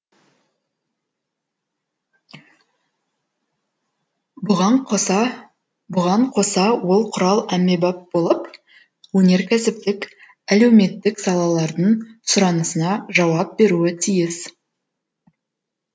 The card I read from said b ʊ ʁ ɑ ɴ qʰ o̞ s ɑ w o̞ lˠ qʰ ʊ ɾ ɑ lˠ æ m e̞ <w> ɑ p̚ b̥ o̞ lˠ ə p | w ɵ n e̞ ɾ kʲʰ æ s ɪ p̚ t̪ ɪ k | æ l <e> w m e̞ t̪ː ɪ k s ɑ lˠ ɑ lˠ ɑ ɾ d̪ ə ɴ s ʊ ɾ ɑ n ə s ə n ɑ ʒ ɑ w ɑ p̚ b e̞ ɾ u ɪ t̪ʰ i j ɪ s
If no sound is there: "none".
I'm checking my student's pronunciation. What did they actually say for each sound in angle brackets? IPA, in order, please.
b, e

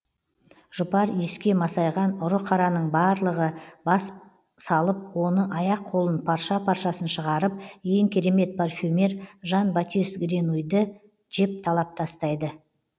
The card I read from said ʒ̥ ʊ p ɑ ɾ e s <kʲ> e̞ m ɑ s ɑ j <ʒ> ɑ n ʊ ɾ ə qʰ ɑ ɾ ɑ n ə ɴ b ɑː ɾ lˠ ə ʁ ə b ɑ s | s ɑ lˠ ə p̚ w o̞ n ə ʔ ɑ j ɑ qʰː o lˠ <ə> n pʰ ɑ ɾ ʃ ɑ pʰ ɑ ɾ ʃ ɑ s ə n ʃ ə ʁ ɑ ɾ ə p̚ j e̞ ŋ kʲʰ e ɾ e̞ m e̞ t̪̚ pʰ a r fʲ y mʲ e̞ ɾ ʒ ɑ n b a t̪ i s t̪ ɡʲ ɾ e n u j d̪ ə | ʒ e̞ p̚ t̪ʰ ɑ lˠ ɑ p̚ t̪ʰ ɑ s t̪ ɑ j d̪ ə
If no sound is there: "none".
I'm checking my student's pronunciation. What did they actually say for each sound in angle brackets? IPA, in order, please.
kʲ, ʁ, ə

